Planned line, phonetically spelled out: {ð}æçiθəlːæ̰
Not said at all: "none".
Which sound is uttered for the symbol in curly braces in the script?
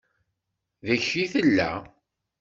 ð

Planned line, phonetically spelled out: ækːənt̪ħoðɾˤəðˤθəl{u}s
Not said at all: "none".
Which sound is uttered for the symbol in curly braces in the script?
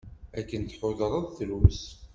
w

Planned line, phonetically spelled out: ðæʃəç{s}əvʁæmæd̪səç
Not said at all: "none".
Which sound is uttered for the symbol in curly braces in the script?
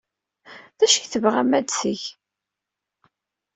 θ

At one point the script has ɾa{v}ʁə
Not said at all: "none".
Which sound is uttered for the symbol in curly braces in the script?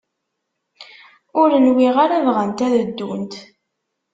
v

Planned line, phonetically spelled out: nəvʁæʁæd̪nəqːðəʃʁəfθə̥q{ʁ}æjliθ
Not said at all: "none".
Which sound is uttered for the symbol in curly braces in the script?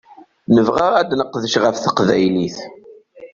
v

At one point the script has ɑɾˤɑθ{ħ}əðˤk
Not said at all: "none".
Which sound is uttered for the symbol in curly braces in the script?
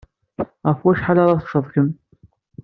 ʃ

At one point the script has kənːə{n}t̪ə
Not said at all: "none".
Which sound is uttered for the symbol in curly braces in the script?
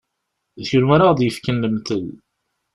m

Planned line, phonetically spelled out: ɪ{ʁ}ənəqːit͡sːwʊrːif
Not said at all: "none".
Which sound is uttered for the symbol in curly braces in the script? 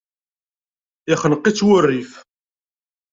χ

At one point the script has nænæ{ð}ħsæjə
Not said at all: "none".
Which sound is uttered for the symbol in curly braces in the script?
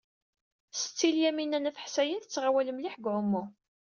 θ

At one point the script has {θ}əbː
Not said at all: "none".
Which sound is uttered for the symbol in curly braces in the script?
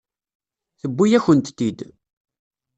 θ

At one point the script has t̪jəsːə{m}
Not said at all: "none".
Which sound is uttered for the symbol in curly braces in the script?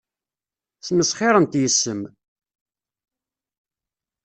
m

